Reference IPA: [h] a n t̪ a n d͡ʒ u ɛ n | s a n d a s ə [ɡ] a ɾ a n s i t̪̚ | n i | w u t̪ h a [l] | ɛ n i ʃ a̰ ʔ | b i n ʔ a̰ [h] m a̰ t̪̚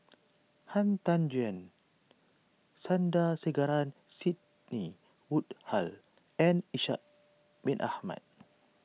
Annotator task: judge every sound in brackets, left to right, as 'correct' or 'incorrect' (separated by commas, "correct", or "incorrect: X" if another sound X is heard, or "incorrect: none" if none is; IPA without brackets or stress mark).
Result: correct, correct, correct, correct